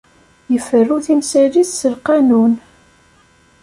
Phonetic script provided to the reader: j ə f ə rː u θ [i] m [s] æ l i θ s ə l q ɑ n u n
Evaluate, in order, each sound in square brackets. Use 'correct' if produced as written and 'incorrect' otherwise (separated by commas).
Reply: correct, correct